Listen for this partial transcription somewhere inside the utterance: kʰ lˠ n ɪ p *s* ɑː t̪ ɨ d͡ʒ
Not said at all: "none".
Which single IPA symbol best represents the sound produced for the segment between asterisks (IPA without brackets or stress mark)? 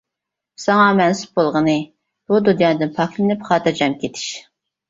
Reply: χ